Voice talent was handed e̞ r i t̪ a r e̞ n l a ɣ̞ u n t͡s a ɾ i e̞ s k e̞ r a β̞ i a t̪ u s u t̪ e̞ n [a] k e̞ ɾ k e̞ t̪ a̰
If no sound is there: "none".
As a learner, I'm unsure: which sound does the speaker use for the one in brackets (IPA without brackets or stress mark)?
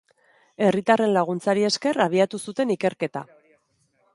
i